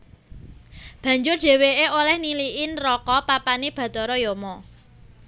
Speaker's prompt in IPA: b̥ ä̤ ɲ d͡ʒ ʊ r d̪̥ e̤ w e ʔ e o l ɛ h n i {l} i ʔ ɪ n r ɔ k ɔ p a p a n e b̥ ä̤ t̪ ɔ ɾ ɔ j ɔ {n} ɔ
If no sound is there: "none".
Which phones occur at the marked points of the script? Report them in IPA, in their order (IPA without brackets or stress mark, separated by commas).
l, m